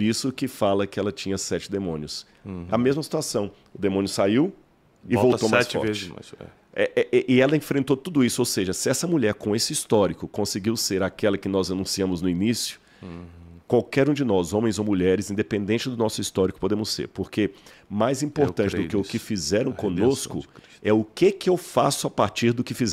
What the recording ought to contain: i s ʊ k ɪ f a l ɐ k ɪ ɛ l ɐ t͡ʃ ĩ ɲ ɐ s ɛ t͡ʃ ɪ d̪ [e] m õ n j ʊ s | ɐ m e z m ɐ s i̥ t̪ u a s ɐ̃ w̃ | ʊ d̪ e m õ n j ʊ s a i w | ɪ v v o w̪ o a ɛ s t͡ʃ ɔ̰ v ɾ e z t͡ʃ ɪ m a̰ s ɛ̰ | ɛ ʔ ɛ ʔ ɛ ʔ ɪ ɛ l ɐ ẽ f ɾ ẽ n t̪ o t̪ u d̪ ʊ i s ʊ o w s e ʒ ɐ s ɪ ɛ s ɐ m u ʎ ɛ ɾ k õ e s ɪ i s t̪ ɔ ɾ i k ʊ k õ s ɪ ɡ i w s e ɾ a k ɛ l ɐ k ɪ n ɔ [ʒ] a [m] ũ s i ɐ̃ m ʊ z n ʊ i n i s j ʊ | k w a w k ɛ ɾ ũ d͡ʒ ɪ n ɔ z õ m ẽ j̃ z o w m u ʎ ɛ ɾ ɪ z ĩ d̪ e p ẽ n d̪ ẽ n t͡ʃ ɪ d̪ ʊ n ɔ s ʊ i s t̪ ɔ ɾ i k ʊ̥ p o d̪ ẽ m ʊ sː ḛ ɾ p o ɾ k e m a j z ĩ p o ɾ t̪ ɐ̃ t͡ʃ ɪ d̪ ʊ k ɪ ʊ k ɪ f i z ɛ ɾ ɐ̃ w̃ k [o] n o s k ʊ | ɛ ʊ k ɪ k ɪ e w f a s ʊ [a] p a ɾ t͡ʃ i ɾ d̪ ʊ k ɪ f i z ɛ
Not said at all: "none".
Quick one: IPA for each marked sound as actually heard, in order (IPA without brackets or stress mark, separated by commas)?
e, z, n, õ, a